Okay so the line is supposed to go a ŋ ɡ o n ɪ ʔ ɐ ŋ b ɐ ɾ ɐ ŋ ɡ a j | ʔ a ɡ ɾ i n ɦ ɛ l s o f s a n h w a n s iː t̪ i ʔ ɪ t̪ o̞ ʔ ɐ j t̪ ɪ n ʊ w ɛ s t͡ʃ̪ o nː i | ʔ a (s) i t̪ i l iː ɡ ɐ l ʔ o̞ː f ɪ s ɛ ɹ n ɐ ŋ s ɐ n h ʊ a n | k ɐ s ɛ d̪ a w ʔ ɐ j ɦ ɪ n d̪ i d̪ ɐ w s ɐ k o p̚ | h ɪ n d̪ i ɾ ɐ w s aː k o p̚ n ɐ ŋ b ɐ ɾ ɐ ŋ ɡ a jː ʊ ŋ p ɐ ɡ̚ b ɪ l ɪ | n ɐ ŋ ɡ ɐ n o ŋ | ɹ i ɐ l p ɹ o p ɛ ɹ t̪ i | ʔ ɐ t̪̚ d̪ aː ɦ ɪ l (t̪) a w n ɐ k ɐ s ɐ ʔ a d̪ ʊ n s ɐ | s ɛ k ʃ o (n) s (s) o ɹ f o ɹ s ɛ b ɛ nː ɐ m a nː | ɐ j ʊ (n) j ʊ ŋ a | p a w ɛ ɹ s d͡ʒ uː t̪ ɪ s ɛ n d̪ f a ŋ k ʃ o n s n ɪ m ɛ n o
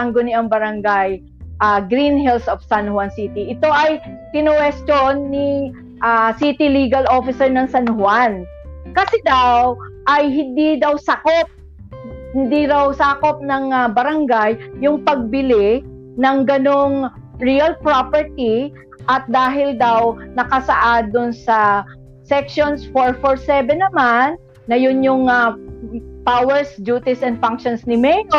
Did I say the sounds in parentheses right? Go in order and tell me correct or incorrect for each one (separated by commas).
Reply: correct, incorrect, correct, incorrect, correct